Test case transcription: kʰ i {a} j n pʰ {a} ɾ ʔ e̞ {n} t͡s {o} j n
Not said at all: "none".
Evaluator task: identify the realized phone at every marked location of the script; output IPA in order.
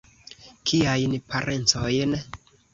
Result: a, a, n, o

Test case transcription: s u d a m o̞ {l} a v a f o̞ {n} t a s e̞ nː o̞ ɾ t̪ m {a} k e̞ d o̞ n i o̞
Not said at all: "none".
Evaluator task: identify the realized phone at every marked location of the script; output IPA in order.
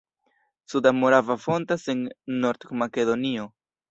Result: ɾ, n, a

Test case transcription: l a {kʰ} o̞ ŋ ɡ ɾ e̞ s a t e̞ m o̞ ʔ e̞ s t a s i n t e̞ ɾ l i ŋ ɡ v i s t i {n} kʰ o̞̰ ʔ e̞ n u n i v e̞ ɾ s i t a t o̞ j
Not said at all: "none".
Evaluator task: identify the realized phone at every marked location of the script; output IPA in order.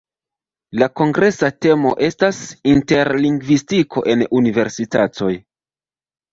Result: k, none

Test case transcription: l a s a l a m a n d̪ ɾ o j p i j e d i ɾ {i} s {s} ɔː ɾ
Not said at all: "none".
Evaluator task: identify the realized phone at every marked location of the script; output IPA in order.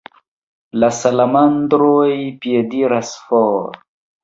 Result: a, f

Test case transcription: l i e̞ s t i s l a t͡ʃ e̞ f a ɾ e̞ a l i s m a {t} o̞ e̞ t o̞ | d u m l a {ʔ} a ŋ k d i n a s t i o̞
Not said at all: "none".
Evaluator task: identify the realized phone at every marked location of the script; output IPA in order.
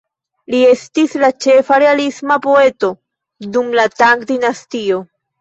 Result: p, t

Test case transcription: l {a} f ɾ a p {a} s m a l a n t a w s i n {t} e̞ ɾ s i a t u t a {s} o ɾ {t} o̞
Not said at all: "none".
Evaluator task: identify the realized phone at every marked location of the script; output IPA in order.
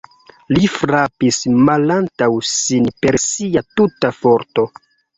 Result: i, i, p, f, t

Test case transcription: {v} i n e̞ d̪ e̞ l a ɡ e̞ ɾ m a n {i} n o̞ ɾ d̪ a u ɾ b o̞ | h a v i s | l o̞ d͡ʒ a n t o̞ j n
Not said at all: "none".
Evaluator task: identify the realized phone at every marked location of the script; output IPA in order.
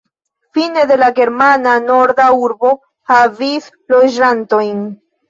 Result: f, a

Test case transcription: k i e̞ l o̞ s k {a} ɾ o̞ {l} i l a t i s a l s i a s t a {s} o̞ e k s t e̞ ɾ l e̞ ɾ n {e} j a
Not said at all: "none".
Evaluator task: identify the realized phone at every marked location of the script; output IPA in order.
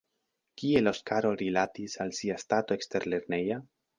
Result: a, ɾ, t, e

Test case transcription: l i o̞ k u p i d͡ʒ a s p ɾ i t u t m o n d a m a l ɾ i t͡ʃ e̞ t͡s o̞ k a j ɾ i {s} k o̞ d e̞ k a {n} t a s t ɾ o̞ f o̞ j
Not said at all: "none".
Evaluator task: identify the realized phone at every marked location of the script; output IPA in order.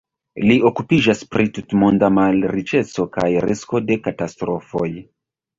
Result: s, none

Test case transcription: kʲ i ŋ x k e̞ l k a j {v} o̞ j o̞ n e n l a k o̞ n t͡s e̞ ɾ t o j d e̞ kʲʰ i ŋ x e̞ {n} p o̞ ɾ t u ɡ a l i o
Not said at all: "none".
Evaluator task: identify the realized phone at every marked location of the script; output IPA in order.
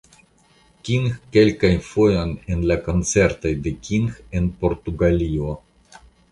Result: f, n

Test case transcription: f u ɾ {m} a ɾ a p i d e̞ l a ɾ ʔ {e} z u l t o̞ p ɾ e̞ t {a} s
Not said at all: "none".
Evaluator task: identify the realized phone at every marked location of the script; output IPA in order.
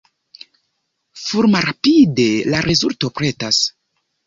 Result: m, e, a

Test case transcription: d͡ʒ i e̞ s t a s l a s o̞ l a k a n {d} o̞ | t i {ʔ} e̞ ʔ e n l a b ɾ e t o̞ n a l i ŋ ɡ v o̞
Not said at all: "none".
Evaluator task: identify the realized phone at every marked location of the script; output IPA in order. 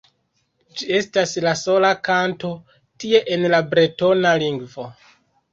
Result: t, none

